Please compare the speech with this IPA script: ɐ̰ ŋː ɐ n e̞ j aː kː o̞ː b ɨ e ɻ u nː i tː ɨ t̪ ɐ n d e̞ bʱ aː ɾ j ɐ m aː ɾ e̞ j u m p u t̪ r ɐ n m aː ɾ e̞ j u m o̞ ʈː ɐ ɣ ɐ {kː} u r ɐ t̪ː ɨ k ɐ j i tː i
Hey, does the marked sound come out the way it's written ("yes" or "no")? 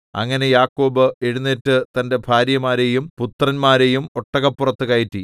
no